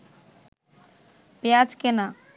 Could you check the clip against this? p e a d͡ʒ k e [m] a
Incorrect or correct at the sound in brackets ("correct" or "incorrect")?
incorrect